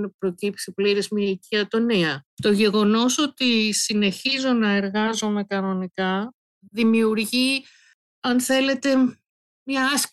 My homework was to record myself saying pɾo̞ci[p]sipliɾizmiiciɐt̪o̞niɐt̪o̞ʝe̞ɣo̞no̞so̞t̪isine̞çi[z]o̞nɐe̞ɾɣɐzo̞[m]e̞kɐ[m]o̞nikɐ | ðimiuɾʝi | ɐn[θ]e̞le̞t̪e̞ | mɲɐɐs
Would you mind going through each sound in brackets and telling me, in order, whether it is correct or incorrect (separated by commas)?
correct, correct, correct, incorrect, correct